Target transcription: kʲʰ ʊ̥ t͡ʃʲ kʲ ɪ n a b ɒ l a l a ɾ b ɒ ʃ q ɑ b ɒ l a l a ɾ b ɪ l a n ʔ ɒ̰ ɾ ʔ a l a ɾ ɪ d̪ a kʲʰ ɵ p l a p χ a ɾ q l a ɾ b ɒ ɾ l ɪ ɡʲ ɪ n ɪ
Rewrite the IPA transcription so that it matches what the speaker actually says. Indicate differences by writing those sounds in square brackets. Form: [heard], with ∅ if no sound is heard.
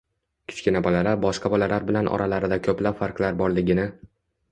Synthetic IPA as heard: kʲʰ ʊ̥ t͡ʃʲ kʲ ɪ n a b ɒ l a l a ɾ b ɒ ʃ q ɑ b ɒ l a l a ɾ b ɪ l a n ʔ ɒ̰ ɾ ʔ a l a ɾ ɪ d̪ a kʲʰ ɵ p l a p [f] a ɾ q l a ɾ b ɒ ɾ l ɪ ɡʲ ɪ n ɪ